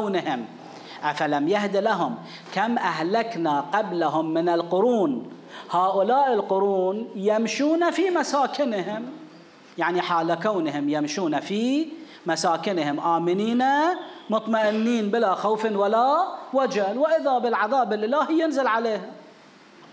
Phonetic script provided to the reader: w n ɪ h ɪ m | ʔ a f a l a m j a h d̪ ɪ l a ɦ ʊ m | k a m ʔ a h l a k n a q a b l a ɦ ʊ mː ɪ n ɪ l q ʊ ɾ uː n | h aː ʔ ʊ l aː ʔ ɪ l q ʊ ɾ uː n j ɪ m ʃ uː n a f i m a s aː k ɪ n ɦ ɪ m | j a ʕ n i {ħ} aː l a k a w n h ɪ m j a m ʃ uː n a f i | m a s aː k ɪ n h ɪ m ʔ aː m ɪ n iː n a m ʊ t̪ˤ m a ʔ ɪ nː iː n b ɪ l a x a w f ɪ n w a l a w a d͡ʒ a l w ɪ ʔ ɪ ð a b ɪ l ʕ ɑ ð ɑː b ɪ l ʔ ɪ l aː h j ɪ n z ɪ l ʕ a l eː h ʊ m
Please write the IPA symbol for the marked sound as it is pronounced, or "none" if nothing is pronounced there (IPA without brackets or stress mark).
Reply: ħ